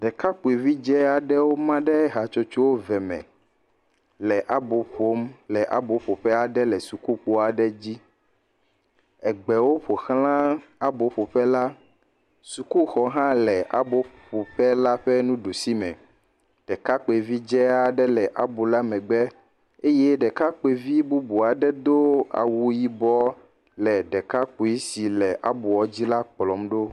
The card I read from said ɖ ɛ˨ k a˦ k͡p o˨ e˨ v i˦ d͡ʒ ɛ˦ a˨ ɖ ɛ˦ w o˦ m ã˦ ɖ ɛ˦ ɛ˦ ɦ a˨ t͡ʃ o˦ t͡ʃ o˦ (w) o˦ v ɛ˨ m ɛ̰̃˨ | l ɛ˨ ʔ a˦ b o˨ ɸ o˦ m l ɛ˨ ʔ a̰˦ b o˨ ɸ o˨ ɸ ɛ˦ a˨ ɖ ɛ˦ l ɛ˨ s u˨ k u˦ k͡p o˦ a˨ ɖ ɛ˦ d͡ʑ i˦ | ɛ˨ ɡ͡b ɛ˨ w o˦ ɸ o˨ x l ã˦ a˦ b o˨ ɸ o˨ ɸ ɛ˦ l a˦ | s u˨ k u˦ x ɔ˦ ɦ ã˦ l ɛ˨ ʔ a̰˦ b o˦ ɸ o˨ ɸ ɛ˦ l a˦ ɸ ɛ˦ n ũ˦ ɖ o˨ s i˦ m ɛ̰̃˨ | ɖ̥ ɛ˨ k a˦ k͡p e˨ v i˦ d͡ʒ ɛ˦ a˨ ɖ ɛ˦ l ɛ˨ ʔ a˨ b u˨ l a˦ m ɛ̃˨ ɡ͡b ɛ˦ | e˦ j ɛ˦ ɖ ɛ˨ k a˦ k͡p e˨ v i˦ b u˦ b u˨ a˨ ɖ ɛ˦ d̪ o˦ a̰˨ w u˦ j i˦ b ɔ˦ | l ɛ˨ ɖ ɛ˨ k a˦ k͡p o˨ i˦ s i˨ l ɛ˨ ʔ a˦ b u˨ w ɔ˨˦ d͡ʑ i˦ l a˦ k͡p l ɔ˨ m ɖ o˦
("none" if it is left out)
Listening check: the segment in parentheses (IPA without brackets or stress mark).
w